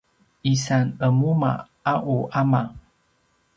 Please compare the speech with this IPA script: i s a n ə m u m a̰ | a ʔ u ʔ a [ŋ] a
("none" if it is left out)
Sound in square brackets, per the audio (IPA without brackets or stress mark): m